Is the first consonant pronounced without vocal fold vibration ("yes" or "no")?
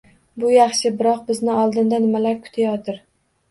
no